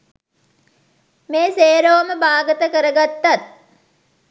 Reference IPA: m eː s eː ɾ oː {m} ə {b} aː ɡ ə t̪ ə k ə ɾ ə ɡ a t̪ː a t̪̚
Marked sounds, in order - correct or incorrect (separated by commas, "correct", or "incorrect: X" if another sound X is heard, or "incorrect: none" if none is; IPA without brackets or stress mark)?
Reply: correct, correct